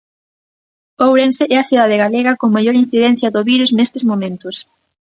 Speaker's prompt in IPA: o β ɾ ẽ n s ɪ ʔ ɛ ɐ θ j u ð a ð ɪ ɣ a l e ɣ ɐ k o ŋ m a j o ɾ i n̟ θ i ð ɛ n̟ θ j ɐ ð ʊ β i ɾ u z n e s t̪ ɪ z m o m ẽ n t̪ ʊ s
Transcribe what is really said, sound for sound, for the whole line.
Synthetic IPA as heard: o w ɾ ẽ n s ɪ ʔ ɛ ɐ θ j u ð a ð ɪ ɣ a l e ɣ ɐ k o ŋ m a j o ɾ i n̟ θ i ð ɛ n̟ θ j ɐ ð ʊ β i ɾ u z n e s t̪ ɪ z m o m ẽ n t̪ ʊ s